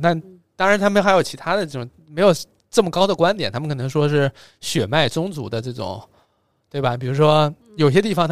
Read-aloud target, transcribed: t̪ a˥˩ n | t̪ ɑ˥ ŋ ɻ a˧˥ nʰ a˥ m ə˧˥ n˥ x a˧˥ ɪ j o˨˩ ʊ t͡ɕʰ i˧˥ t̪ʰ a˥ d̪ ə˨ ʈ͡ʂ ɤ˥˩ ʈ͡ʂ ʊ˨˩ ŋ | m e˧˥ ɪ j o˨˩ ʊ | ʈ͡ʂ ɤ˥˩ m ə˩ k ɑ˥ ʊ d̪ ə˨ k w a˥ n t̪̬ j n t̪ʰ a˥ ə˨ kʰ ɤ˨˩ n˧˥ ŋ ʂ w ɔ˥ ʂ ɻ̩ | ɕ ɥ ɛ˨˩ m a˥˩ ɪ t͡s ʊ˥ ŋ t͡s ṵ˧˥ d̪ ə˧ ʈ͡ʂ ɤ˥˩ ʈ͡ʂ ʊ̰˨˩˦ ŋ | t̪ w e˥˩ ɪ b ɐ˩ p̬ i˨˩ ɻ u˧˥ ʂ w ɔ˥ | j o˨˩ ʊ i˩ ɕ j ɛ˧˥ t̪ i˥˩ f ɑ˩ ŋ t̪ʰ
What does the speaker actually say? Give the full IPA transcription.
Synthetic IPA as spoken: t̪ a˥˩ n | t̪ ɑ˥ ŋ ɻ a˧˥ nʰ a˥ m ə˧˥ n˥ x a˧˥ ɪ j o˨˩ ʊ t͡ɕʰ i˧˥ t̪ʰ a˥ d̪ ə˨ ʈ͡ʂ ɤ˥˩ ʈ͡ʂ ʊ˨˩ ŋ | m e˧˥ ɪ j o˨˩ ʊ | ʈ͡ʂ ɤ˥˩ m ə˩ k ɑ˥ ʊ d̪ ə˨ k w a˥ n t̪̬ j n t̪ʰ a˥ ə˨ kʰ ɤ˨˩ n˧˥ ŋ ʂ w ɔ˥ ʂ ɻ̩ | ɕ ɥ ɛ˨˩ m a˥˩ ɪ t͡s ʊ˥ ŋ t͡s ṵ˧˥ d̪ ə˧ ʈ͡ʂ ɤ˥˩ ʈ͡ʂ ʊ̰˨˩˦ ŋ | t̪ w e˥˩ ɪ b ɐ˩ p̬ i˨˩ ɻ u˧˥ ʂ w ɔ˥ | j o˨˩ ʊ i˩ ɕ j ɛ˥ t̪ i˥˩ f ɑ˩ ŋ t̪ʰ